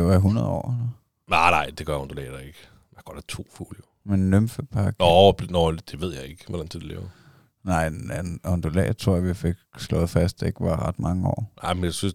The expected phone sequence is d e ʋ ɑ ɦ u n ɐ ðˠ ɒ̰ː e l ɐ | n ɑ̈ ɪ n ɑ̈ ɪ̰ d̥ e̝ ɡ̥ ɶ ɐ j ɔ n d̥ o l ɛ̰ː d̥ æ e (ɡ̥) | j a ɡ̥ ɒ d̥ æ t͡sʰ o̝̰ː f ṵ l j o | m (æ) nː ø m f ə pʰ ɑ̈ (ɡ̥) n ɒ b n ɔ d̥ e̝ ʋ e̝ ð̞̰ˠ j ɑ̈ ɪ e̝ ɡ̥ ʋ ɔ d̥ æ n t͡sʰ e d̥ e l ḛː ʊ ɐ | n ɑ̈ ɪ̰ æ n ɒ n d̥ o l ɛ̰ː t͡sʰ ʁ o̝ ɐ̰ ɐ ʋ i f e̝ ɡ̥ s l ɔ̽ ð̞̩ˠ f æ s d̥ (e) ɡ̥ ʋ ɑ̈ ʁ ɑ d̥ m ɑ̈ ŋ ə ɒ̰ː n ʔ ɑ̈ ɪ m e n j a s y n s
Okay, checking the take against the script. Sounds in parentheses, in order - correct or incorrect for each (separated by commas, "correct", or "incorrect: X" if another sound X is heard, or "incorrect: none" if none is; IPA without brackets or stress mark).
correct, incorrect: e, correct, correct